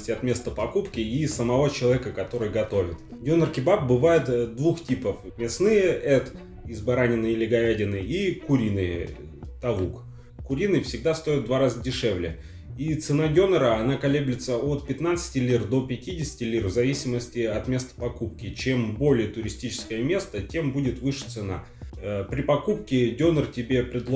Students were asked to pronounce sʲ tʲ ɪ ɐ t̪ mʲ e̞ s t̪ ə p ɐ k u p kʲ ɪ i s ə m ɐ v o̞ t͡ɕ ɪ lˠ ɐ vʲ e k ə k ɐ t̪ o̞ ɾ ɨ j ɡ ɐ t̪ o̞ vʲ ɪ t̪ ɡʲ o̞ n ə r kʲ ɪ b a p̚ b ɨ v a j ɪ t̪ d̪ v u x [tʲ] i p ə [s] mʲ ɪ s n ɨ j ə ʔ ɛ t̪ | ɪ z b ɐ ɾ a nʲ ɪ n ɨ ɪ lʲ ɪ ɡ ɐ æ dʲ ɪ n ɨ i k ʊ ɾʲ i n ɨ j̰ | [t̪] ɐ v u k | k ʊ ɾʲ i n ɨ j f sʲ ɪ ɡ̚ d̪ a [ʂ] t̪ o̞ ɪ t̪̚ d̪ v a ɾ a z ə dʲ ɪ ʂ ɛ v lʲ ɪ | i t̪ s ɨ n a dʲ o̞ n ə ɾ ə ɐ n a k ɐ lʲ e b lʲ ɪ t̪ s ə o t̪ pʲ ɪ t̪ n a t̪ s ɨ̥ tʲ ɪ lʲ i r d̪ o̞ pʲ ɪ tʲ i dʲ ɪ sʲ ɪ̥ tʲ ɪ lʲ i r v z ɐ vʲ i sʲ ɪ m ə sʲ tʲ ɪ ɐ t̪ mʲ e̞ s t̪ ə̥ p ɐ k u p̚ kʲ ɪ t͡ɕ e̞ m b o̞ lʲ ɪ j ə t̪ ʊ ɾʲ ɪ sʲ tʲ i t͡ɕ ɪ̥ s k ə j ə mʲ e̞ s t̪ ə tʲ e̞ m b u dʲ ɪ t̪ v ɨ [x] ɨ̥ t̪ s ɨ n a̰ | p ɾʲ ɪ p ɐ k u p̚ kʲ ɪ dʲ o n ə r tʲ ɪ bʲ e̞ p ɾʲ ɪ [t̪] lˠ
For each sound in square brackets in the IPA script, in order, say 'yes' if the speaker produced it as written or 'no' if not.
yes, no, yes, no, no, no

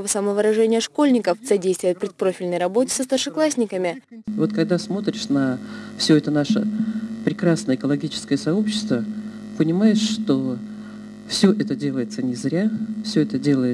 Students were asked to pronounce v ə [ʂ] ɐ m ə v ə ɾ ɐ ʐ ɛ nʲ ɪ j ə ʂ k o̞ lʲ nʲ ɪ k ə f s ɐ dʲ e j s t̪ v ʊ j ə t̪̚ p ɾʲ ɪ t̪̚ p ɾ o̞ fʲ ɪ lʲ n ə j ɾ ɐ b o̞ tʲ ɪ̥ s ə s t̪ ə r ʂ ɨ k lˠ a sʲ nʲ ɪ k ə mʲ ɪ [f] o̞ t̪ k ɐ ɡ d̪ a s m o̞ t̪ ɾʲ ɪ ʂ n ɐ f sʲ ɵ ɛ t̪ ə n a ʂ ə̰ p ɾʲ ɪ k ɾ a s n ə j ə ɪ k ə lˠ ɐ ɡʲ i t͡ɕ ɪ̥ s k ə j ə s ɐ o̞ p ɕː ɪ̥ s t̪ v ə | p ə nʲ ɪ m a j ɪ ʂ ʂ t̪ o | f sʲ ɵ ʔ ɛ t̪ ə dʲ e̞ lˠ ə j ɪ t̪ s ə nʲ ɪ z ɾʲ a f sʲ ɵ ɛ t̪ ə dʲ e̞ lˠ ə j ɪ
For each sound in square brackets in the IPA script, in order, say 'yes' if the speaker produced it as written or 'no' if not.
no, no

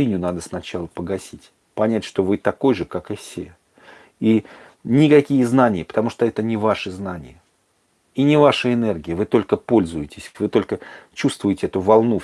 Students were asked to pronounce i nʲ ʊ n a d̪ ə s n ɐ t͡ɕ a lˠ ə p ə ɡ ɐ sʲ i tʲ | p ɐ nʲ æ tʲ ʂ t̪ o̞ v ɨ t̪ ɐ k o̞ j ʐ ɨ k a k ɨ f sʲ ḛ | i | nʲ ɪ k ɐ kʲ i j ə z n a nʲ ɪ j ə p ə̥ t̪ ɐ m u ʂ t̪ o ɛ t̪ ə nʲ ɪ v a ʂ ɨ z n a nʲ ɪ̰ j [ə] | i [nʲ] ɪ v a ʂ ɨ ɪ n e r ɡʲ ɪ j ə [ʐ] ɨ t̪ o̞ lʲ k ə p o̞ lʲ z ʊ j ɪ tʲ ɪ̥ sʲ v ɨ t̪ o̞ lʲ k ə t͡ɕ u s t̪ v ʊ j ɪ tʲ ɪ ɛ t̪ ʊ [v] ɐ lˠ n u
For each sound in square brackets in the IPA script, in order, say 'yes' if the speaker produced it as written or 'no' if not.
yes, yes, no, yes

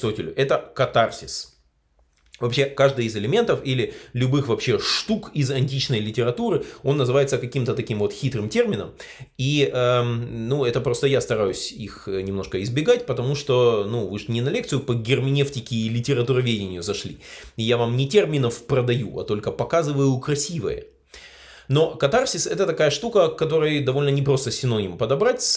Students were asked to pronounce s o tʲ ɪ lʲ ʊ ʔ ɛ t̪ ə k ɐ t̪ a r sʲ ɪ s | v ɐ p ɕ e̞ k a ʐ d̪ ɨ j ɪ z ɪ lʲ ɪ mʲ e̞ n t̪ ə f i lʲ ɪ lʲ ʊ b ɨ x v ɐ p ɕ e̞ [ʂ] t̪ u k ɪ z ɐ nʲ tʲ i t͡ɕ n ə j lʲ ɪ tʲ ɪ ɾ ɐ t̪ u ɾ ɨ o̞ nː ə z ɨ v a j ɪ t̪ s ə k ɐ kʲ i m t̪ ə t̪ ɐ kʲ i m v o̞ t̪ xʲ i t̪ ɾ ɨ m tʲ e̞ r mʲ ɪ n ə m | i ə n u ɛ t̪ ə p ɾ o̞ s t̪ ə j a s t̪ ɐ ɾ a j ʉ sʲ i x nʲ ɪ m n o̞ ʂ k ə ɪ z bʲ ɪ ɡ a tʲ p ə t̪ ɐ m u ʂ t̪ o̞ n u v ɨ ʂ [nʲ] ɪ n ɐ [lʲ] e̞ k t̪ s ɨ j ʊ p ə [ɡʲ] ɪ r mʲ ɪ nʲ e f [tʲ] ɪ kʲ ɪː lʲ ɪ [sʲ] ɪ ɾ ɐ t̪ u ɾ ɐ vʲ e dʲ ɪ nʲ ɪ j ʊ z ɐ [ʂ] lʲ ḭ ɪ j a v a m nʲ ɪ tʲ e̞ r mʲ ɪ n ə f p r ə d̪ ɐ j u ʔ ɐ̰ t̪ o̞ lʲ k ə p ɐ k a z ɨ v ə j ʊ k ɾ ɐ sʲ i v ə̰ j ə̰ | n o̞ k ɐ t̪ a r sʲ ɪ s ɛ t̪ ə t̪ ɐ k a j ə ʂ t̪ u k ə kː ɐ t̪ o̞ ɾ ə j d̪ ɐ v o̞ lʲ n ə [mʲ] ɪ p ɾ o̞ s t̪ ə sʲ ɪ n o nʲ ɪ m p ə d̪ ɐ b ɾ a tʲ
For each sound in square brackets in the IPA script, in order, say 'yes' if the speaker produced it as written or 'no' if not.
yes, yes, yes, yes, yes, no, yes, no

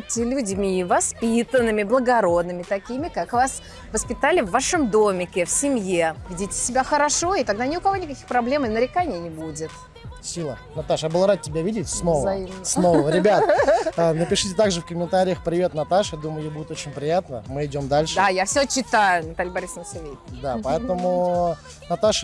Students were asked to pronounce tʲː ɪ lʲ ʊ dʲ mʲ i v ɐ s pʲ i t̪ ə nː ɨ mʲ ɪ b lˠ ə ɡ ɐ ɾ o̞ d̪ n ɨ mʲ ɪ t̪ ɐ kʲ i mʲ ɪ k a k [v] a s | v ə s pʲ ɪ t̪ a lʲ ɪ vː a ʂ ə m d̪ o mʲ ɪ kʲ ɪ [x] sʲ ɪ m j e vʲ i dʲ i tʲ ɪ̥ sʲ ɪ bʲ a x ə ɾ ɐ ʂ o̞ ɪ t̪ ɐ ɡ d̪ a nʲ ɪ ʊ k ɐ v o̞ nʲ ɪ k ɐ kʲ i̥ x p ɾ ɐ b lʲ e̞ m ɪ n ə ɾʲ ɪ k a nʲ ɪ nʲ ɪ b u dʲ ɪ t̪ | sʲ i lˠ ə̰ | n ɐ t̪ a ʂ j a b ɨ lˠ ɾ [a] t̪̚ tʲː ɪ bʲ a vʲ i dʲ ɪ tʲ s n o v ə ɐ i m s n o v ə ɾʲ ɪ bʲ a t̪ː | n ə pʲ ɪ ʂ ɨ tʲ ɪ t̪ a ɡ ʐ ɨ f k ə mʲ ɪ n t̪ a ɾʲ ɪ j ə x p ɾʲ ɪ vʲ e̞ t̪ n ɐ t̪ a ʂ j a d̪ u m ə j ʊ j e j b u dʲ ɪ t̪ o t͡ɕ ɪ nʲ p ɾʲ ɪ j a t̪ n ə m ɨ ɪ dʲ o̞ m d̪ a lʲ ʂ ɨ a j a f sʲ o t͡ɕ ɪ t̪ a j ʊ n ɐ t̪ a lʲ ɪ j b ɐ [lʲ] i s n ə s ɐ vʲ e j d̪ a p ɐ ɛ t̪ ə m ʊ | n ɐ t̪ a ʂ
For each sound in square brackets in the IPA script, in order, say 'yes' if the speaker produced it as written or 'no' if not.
yes, no, yes, no

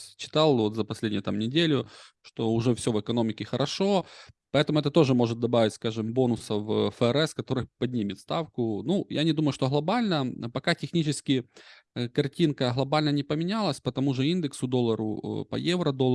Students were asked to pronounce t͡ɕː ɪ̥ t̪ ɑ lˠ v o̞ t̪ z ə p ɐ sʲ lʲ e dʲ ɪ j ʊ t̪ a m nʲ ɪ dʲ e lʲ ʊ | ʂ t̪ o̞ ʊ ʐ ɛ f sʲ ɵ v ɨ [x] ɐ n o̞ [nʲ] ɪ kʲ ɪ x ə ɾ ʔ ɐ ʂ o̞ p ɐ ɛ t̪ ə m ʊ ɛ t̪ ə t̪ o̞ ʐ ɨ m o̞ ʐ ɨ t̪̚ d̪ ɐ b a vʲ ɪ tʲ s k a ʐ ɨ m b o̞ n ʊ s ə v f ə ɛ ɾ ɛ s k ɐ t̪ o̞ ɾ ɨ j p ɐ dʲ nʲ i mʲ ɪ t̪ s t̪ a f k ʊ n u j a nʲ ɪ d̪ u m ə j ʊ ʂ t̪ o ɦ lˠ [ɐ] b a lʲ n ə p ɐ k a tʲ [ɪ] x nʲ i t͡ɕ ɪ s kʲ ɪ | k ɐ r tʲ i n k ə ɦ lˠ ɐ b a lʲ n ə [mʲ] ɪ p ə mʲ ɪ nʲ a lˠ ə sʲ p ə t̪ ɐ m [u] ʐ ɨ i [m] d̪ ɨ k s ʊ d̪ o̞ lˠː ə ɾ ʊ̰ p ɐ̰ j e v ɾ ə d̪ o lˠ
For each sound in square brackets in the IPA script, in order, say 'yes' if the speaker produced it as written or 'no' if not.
no, no, yes, yes, no, yes, no

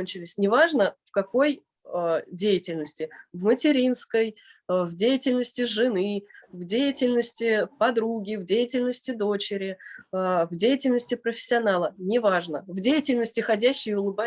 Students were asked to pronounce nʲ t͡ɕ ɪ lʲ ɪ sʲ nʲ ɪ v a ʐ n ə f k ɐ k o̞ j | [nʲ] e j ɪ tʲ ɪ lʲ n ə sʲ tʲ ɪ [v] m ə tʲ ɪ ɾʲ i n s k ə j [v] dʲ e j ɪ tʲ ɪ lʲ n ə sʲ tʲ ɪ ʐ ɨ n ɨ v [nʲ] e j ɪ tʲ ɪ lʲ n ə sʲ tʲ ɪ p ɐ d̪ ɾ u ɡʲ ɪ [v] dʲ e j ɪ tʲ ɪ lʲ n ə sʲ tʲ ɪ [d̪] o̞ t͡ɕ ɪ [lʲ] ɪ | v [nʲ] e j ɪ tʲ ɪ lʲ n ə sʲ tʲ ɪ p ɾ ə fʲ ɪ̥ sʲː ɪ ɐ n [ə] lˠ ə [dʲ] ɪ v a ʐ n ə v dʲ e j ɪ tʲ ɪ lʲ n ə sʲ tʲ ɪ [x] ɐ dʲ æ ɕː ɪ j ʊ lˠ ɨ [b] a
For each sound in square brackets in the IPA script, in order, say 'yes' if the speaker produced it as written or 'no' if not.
no, yes, yes, no, yes, yes, no, no, no, no, yes, yes

